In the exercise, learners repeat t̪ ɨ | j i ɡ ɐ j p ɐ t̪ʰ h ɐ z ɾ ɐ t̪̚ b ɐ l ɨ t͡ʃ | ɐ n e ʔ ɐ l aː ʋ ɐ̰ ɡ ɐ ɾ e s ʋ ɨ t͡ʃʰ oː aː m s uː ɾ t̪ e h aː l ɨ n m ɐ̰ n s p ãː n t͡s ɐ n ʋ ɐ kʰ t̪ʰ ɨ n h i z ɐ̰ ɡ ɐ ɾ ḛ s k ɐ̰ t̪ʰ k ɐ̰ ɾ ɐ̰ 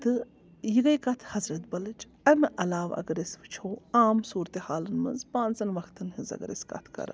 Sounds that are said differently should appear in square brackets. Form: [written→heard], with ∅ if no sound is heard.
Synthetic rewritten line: t̪ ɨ | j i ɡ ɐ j [p→k] ɐ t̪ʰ h ɐ z ɾ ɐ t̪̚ b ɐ l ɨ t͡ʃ | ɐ [n→m] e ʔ ɐ l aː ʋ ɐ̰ ɡ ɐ ɾ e s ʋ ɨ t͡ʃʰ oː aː m s uː ɾ t̪ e h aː l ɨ n m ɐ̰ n [s→z] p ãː n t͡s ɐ n ʋ ɐ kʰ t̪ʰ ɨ n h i z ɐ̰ ɡ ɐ ɾ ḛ s k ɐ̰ t̪ʰ k ɐ̰ ɾ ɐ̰